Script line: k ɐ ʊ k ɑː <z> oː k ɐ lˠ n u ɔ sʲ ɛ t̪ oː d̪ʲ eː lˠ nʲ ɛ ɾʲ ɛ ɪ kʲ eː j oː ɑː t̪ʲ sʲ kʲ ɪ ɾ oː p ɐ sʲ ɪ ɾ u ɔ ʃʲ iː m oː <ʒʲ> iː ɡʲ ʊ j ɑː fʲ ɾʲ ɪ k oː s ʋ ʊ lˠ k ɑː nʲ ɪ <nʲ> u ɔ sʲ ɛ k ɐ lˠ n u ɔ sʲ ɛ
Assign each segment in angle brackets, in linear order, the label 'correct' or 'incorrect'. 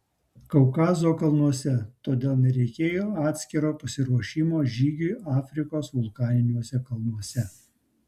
correct, correct, correct

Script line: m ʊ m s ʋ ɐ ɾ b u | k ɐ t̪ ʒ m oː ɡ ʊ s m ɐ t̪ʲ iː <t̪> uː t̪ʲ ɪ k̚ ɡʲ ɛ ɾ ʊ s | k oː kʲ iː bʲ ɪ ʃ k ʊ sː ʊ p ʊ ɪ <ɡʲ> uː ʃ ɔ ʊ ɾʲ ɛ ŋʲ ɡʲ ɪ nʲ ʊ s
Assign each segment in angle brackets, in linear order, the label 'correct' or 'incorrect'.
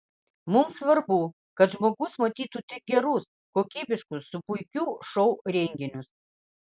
correct, incorrect: kʲ

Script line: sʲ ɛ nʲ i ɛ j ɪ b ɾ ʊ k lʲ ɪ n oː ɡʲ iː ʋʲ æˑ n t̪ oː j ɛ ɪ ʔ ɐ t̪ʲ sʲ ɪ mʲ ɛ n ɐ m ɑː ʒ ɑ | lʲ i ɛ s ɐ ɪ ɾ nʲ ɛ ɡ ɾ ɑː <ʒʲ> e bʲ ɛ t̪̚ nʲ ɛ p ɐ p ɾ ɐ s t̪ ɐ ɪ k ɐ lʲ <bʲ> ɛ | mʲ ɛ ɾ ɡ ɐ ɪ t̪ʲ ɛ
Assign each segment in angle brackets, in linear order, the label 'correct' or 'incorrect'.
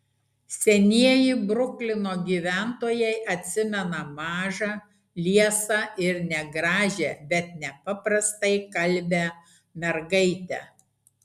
correct, correct

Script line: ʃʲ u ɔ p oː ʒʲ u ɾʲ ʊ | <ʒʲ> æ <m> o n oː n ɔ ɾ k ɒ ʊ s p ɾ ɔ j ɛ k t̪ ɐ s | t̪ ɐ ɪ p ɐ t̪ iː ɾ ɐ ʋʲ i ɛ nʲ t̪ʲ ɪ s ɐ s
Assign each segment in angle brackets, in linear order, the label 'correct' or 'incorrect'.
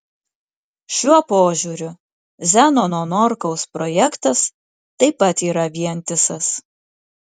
incorrect: zʲ, incorrect: n

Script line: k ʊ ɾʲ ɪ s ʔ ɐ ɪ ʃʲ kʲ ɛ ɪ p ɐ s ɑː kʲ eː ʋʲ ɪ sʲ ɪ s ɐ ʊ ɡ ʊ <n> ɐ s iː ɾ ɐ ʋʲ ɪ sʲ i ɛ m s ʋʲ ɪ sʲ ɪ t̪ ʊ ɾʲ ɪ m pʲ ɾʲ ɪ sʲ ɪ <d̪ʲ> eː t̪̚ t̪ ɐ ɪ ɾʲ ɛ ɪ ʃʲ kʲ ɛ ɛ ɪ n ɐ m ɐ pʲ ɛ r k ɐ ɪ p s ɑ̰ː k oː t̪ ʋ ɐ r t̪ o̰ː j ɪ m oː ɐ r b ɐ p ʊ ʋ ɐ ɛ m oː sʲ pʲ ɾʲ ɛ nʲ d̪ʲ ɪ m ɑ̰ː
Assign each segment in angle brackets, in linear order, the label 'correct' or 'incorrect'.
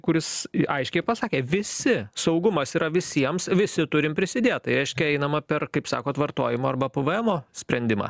incorrect: m, correct

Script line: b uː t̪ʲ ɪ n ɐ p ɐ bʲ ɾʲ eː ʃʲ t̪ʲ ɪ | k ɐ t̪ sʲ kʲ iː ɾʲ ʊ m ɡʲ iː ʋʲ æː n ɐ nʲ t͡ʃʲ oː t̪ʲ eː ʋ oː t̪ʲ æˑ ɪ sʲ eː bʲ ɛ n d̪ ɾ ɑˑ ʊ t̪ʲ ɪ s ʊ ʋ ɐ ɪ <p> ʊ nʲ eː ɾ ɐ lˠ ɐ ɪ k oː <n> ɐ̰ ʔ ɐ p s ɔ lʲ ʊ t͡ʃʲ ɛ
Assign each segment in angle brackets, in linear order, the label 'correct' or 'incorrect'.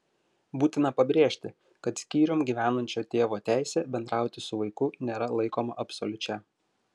incorrect: k, incorrect: m

